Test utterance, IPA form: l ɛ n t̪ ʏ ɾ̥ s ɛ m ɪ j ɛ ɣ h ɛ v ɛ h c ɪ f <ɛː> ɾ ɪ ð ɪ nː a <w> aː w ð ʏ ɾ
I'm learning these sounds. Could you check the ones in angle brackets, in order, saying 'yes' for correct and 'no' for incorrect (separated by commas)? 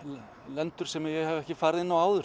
no, yes